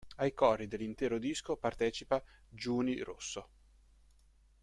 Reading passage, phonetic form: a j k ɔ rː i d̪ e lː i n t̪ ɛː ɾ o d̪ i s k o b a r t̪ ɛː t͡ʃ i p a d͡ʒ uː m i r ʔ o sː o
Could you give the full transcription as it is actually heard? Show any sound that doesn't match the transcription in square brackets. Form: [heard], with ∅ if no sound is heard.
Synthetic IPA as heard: a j k ɔ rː i d̪ e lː i n t̪ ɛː ɾ o d̪ i s k o [p] a r t̪ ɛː t͡ʃ i p a d͡ʒ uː [n] i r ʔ o sː o